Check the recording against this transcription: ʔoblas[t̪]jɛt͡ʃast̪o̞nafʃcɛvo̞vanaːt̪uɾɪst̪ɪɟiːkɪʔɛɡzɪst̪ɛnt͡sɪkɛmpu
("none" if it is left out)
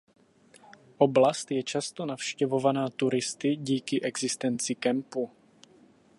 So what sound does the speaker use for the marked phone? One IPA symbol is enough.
t̪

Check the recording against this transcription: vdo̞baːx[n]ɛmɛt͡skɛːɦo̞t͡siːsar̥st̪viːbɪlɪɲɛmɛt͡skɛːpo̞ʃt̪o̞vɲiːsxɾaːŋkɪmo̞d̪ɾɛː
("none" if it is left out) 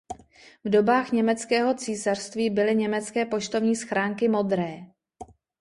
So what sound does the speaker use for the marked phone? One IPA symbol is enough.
ɲ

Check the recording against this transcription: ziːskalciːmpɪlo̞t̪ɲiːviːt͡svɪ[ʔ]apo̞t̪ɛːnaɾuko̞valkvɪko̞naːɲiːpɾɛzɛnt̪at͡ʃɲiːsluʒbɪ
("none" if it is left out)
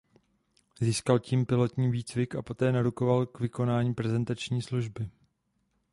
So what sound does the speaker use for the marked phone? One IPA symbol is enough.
k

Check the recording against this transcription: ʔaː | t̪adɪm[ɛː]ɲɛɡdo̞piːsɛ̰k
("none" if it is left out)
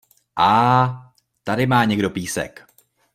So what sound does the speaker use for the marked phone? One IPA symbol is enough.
aː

